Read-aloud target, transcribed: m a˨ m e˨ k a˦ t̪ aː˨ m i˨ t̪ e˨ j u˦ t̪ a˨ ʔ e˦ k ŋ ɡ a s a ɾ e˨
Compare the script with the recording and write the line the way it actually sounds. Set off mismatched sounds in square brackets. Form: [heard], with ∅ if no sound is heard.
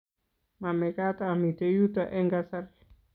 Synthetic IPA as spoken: m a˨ m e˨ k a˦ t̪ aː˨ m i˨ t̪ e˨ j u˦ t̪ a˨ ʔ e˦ [∅] ŋ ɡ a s a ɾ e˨

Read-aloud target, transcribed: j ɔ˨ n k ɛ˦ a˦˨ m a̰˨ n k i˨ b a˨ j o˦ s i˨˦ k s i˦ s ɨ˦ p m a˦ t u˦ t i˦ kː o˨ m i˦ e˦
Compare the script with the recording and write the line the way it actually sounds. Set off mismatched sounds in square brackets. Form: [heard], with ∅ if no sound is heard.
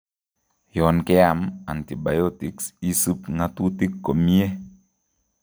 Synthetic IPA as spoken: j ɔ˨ n k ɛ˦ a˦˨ m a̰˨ n [t] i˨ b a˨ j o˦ [t] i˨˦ k s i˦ s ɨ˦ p [ŋ] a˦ t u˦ t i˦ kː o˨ m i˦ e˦

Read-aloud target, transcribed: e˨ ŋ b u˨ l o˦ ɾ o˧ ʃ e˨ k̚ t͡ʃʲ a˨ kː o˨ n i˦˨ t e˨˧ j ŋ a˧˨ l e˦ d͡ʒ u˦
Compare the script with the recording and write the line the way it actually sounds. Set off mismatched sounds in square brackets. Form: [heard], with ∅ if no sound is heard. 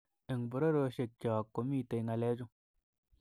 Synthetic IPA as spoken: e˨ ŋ b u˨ [ɾ] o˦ ɾ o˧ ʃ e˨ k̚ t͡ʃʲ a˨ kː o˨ [m] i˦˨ t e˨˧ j ŋ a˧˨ l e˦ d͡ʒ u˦

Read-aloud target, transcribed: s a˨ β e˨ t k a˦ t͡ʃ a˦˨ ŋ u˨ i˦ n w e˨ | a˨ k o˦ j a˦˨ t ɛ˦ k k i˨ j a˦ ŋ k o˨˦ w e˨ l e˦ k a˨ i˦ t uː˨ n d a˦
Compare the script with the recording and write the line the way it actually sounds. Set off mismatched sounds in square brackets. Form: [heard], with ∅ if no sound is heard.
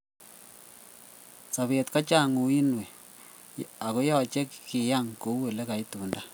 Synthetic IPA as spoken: s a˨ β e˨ t k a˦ t͡ʃ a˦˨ ŋ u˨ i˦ n w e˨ | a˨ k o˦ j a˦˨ [t͡ʃ] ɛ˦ k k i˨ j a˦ ŋ k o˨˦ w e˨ l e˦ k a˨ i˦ t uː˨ n d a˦

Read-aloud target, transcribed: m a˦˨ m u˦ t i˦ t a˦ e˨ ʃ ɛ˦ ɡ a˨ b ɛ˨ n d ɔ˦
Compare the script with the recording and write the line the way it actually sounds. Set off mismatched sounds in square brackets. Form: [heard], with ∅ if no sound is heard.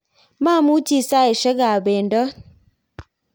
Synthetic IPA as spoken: m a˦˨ m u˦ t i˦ [s] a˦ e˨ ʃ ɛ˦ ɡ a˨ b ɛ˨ n d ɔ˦

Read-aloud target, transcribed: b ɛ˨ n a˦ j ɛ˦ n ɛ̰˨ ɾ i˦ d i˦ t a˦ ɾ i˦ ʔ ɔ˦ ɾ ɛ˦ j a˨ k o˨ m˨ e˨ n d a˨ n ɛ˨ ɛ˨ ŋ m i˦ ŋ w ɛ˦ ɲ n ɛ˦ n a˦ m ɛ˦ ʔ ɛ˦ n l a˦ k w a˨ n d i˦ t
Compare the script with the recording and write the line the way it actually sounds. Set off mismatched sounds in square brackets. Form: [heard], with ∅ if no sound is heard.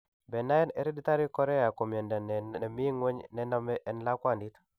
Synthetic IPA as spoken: b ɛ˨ n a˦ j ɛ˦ n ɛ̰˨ ɾ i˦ d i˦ t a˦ ɾ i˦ [k] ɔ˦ ɾ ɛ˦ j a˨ k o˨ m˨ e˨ n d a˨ n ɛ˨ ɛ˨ [∅] m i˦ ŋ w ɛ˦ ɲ n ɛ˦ n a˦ m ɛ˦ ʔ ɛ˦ n l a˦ k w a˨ n d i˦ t

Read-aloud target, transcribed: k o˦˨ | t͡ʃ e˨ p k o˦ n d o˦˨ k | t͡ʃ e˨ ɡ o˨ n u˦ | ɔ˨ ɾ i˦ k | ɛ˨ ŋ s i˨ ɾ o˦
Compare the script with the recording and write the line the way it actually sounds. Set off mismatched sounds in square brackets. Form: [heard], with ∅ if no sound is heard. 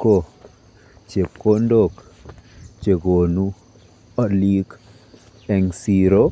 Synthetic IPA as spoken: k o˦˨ | t͡ʃ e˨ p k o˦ n d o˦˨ k | t͡ʃ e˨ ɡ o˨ n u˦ | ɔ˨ [l] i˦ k | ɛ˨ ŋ s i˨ ɾ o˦

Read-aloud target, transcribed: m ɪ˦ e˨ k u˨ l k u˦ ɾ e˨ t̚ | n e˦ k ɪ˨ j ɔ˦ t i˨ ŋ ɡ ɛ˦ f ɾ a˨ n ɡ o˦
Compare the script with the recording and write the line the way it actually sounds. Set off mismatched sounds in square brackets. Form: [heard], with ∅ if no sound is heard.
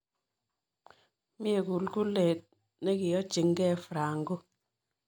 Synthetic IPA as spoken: m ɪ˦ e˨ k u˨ l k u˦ [l] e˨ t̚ | n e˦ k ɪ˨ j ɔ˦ [t͡ʃ] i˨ ŋ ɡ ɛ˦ f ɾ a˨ [ŋ] ɡ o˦

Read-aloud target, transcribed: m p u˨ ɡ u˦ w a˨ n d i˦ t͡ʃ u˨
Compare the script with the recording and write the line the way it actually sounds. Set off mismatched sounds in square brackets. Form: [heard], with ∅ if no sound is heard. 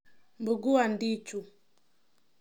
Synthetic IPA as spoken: m [b] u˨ ɡ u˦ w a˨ n d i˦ t͡ʃ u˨

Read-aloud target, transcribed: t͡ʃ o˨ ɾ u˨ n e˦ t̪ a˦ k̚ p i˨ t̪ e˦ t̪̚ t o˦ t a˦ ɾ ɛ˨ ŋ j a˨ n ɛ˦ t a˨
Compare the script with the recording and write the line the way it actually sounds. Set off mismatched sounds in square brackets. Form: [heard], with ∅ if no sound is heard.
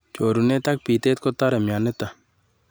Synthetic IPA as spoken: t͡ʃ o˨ ɾ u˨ n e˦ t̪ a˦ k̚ p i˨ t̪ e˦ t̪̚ [k] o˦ t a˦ ɾ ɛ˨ [m] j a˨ n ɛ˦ t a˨

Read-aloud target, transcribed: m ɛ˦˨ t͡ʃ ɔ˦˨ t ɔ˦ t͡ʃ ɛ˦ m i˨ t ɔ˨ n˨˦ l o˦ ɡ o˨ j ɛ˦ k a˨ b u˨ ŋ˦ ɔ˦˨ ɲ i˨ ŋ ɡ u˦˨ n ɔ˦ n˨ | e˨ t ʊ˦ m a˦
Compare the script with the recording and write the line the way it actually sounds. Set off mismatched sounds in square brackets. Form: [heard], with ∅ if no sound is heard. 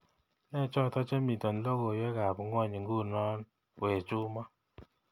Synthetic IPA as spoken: [n] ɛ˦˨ t͡ʃ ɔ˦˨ t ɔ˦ t͡ʃ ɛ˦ m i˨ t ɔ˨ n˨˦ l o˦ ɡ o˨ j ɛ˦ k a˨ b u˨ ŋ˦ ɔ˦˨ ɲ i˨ ŋ ɡ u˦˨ n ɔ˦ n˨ | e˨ [t͡ʃ] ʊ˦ m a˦

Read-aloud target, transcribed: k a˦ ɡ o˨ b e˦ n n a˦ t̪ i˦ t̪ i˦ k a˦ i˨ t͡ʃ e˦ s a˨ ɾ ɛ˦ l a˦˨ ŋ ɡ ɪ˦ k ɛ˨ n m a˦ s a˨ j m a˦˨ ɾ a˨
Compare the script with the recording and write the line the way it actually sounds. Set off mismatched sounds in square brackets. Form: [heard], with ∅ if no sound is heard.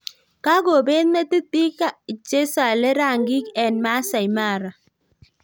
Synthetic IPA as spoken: k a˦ ɡ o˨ b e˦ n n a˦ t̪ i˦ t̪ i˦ k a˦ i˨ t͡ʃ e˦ s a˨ [l] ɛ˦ [ɾ] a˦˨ ŋ ɡ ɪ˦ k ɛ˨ n m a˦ s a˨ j m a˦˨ ɾ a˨

